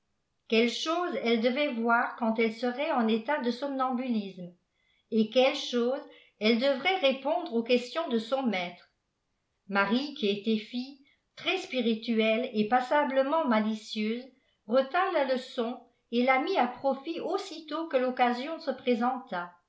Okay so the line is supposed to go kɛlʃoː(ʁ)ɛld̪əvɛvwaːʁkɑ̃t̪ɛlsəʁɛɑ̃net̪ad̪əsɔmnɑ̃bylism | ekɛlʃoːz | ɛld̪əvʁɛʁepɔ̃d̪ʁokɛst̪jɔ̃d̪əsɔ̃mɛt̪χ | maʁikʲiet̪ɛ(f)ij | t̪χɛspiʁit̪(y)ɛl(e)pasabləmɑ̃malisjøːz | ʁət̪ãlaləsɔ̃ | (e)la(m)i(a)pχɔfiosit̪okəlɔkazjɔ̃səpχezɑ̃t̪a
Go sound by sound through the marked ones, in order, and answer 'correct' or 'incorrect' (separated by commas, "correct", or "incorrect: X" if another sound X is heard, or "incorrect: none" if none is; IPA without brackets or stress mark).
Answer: incorrect: z, correct, correct, correct, correct, correct, correct